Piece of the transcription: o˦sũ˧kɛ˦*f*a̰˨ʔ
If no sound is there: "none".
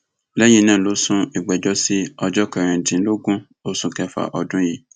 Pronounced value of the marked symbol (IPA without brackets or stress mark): f